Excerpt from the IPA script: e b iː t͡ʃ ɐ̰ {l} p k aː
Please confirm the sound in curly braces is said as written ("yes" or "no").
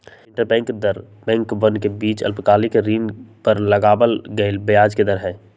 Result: yes